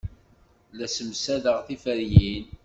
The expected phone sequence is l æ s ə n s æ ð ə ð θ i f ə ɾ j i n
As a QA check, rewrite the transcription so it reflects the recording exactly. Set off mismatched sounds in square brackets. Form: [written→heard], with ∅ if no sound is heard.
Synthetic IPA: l æ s ə [n→m] s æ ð ə [ð→ʁ] θ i f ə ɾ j i n